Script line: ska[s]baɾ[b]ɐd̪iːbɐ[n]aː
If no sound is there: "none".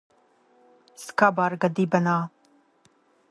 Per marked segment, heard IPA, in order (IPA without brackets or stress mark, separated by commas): none, ɡ, n